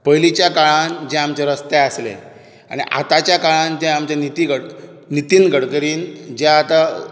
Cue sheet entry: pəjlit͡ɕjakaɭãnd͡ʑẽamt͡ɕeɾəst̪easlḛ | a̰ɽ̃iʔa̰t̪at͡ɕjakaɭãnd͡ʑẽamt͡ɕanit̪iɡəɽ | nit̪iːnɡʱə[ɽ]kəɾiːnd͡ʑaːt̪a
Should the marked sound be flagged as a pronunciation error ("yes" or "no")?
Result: no